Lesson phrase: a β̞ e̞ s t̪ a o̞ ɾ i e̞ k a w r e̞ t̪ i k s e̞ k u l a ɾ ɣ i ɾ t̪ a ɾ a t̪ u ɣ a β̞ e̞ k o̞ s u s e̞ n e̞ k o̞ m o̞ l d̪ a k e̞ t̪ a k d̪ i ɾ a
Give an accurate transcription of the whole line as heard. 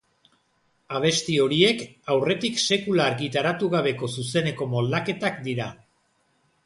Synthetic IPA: a β̞ e̞ s t̪ i o̞ ɾ i e̞ k a w r e̞ t̪ i k s e̞ k u l a ɾ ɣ i t̪ a ɾ a t̪ u ɣ a β̞ e̞ k o̞ s u s e̞ n e̞ k o̞ m o̞ l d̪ a k e̞ t̪ a k d̪ i ɾ a